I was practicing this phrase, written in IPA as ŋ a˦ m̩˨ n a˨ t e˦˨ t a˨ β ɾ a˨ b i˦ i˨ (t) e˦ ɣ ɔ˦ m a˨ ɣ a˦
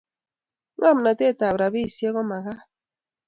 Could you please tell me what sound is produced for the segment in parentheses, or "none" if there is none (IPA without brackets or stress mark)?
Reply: s